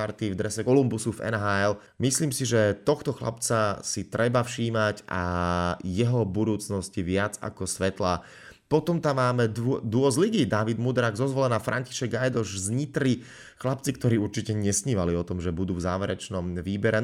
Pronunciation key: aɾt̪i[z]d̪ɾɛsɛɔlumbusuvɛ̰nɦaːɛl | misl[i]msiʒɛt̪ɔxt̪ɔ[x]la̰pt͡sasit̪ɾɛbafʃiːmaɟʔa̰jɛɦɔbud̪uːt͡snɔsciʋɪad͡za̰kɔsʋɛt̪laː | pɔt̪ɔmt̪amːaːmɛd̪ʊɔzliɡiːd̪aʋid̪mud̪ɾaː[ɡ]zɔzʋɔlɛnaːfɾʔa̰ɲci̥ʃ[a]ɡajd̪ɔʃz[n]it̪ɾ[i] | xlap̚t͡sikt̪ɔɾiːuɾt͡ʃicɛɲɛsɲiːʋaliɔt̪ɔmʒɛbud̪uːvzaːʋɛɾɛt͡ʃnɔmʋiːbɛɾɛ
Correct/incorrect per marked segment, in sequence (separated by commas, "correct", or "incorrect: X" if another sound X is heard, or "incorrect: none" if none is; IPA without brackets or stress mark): incorrect: v, incorrect: iː, correct, correct, incorrect: ɛ, incorrect: ɲ, correct